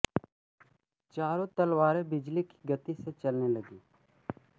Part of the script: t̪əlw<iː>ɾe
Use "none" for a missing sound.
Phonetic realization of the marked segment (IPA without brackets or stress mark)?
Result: aː